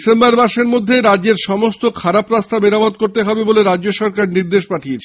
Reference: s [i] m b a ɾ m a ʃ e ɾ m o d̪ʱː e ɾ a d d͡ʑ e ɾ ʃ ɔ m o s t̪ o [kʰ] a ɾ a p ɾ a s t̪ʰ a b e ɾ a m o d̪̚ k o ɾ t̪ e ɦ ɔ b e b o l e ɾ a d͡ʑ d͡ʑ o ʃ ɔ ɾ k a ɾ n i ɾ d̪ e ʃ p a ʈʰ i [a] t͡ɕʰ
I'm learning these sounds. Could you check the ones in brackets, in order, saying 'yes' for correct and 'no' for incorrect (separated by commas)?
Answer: no, yes, no